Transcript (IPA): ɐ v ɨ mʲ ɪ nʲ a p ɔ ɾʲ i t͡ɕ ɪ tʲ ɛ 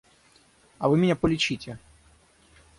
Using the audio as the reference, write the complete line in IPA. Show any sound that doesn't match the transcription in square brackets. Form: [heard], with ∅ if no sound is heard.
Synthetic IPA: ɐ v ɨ mʲ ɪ nʲ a p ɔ [lʲ] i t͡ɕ [i] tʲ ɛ